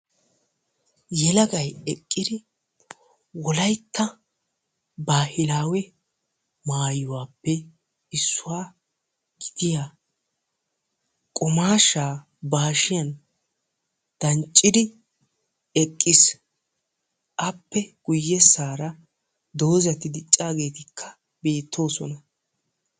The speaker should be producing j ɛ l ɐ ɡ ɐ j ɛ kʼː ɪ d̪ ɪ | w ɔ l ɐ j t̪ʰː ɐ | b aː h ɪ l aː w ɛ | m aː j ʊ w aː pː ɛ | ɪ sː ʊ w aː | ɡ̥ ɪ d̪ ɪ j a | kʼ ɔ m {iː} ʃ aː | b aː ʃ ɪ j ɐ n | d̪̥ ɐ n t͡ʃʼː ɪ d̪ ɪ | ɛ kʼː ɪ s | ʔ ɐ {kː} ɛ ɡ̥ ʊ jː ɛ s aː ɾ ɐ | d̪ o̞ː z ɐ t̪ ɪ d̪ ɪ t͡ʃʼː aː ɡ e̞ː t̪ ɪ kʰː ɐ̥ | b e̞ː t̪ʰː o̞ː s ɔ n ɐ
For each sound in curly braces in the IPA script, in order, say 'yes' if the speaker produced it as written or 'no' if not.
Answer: no, no

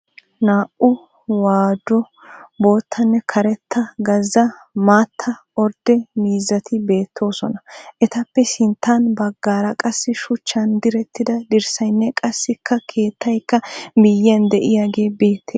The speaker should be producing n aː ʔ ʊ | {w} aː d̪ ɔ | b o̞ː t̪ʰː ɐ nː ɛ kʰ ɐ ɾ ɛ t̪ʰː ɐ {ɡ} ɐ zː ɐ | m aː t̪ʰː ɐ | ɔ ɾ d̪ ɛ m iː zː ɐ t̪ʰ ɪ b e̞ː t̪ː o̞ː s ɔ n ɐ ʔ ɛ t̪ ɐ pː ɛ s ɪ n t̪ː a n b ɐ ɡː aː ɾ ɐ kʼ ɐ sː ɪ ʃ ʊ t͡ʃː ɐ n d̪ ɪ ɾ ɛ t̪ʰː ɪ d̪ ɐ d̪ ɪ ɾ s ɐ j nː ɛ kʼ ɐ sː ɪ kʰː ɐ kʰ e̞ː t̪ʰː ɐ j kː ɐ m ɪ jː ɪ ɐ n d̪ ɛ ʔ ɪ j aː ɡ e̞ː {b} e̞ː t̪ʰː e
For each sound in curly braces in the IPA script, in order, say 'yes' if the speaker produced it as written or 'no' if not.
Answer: yes, yes, yes

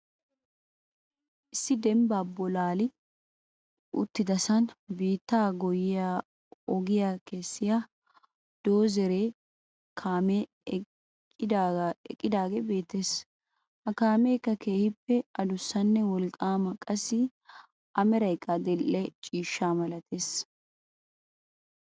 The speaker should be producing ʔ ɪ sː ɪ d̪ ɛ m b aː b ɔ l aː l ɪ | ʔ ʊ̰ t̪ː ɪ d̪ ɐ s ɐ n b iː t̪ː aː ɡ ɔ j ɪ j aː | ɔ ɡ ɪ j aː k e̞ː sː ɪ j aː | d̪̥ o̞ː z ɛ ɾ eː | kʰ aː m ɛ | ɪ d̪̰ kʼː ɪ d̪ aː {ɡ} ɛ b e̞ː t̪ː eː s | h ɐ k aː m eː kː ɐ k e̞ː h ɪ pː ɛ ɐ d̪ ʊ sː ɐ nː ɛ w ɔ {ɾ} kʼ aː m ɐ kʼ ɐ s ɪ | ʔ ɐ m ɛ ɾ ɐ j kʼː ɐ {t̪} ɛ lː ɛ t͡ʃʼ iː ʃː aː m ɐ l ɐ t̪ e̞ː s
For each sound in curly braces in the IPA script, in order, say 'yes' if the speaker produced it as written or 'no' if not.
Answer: yes, no, no

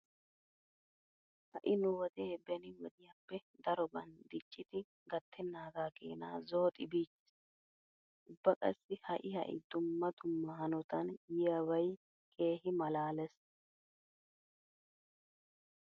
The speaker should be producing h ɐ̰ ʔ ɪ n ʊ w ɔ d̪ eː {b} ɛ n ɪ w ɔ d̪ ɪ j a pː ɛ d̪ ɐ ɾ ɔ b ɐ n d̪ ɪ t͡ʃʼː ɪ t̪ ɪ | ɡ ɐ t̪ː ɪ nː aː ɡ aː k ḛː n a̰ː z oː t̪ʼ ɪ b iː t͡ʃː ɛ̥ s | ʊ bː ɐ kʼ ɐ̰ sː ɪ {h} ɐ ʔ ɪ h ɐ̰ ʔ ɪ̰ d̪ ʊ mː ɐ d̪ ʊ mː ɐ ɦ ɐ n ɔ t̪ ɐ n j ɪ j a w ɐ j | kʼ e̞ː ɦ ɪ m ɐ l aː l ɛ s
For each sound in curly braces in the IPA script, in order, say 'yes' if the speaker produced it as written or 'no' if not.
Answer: yes, yes

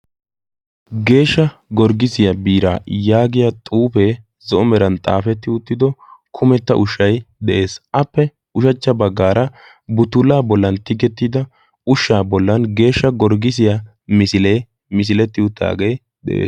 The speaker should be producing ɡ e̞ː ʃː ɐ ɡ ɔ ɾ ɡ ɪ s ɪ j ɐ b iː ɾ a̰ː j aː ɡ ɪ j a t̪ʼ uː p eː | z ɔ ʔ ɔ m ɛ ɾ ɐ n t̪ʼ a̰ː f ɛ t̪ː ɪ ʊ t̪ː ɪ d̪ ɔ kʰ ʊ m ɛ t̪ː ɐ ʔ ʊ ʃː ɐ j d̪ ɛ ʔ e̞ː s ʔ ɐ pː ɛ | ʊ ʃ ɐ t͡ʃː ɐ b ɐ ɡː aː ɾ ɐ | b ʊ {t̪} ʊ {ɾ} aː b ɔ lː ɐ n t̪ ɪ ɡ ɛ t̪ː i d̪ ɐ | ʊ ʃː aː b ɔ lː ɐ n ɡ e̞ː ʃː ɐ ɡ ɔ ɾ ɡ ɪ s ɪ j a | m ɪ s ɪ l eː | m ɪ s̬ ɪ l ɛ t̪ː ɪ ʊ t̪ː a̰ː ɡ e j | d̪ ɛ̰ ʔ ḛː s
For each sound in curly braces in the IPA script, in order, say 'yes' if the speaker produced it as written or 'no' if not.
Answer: yes, no

